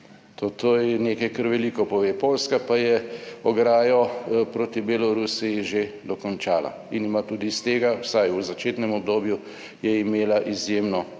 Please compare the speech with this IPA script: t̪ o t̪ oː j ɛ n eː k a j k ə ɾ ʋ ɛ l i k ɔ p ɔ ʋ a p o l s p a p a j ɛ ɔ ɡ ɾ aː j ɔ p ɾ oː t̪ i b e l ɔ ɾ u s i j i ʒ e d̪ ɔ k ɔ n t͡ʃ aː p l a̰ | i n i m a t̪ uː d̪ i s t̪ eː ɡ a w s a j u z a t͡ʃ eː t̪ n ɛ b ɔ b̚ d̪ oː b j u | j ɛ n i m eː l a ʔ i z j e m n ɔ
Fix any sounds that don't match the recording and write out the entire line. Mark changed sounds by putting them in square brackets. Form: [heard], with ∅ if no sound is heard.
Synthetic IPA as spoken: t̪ o t̪ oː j ɛ n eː k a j k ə ɾ ʋ ɛ l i k ɔ p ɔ ʋ [e] p o l s [k] a p a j ɛ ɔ ɡ ɾ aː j ɔ p ɾ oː t̪ i b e l ɔ ɾ u s i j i ʒ e d̪ ɔ k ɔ n t͡ʃ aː [∅] l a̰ | i n i m a t̪ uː d̪ i s t̪ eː ɡ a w s a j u z a t͡ʃ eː t̪ n ɛ [m] ɔ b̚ d̪ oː b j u | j ɛ [∅] i m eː l a ʔ i z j e m n ɔ